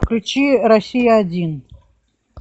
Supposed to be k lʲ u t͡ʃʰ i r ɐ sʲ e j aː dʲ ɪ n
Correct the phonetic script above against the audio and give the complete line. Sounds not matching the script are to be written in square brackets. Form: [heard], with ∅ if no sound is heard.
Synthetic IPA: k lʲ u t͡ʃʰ i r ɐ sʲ [i] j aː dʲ [i] n